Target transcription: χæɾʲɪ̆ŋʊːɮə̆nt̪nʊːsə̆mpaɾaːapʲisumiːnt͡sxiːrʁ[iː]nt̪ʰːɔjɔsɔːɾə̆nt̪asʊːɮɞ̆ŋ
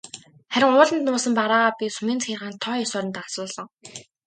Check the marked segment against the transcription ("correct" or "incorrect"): incorrect